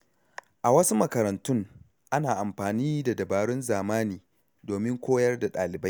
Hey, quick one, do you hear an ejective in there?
no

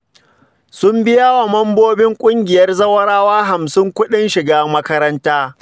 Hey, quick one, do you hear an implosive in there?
yes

